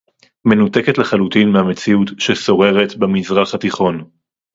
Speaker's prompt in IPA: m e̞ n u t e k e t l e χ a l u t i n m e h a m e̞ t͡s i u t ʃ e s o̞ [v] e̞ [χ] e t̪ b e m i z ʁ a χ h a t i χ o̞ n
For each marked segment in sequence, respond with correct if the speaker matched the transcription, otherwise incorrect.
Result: incorrect: ʁ, incorrect: ʁ

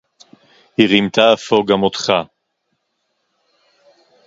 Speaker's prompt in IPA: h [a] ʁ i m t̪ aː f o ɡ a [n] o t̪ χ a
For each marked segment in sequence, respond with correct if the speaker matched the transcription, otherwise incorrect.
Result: incorrect: i, incorrect: m

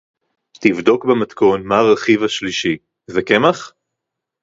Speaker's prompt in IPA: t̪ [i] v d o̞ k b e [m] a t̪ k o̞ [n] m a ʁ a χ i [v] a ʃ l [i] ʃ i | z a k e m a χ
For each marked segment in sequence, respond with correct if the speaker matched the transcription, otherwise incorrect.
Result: correct, correct, correct, correct, correct

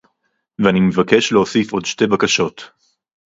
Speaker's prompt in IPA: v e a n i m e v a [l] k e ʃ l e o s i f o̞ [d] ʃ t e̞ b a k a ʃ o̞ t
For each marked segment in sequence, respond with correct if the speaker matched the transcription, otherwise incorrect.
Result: incorrect: none, correct

